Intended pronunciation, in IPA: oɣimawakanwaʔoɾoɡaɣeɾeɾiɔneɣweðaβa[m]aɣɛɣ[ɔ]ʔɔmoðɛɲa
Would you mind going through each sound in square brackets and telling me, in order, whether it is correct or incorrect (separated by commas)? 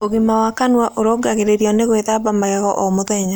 correct, correct